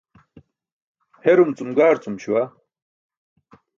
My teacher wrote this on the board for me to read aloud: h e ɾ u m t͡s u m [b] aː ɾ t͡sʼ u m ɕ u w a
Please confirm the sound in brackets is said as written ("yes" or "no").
no